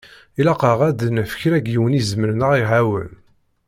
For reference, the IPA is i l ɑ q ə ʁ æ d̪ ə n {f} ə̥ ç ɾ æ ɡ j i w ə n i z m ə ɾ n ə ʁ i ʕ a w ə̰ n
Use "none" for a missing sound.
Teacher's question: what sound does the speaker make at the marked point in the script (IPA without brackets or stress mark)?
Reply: f